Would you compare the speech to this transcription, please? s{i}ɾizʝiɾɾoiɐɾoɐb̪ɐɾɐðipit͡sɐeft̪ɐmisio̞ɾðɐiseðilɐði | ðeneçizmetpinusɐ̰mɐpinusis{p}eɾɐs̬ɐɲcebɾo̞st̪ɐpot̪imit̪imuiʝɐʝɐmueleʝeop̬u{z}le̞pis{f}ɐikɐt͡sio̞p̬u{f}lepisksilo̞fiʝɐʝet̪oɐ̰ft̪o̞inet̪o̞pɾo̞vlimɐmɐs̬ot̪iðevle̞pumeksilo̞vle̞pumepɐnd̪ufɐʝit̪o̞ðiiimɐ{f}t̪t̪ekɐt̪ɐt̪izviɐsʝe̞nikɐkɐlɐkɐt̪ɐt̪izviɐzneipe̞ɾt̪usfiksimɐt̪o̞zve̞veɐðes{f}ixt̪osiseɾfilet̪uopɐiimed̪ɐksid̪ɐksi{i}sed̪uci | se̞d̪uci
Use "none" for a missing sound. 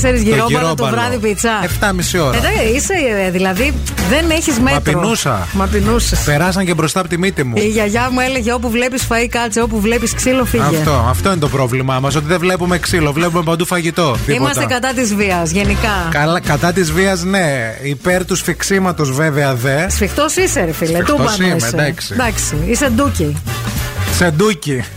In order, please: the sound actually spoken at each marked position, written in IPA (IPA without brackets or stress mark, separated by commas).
e, p, v, f, v, s, f, i